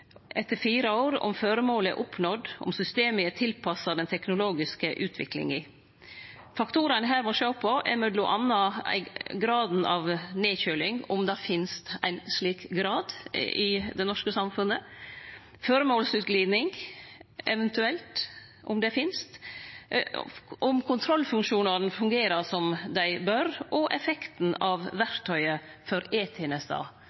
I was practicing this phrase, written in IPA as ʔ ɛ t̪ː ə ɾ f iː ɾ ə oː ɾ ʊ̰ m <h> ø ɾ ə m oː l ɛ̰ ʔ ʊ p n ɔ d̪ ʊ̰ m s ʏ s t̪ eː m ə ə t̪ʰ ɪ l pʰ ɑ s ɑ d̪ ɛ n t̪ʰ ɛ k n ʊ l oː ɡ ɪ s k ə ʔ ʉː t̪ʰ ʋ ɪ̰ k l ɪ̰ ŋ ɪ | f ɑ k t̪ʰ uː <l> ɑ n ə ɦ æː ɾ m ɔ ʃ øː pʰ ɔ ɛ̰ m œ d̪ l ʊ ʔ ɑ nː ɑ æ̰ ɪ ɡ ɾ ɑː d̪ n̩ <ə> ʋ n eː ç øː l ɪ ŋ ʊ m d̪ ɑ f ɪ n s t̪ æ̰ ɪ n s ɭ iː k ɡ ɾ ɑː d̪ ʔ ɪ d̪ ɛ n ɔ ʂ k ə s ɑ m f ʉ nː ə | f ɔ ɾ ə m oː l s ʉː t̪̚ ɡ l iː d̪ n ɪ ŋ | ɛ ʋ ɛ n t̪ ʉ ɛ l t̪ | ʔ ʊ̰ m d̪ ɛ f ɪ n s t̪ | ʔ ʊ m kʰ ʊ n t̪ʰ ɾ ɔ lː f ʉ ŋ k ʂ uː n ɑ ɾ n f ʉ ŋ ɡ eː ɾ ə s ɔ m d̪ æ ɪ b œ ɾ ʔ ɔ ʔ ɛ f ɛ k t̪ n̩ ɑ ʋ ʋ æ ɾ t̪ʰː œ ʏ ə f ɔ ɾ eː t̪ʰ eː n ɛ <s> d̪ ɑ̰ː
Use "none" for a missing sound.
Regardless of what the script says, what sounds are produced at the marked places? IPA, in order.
f, ɾ, ɑ, s

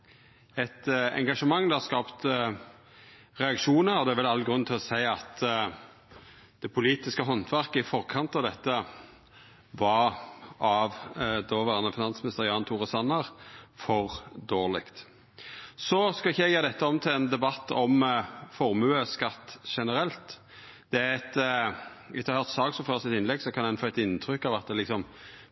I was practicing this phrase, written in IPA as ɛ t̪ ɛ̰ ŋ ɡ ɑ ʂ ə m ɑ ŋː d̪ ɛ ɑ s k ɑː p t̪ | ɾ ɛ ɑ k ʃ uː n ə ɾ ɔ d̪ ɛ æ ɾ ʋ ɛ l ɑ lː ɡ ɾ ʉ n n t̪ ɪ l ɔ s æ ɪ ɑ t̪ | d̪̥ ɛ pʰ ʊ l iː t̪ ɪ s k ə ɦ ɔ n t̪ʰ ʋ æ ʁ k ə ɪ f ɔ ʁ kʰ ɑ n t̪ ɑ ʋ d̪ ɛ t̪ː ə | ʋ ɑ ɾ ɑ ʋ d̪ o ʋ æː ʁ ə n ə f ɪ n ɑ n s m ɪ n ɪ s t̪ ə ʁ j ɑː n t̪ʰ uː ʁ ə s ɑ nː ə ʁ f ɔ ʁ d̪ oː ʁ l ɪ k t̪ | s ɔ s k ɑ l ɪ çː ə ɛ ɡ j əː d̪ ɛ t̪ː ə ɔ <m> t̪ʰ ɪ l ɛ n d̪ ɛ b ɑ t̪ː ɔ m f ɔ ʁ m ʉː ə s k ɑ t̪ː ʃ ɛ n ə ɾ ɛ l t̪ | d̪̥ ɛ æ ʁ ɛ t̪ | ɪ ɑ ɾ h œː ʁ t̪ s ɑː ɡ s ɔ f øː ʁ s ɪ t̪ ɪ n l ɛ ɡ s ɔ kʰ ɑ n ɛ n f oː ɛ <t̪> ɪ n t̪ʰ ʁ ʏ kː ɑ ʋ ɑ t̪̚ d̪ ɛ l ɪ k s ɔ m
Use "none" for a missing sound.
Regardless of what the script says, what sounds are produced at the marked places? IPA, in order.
m, t̪

